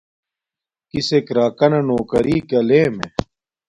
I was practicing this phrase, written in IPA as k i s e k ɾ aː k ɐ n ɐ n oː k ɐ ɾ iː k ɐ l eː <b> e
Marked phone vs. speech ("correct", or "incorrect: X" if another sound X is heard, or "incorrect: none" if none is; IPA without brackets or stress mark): incorrect: m